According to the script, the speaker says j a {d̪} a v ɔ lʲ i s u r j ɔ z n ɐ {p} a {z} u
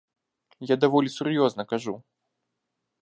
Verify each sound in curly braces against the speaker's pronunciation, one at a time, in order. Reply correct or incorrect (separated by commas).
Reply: correct, incorrect, incorrect